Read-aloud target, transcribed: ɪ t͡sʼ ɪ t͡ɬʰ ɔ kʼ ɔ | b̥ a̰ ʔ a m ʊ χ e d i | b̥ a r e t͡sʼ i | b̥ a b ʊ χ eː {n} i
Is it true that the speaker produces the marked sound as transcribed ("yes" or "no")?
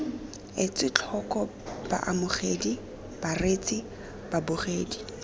no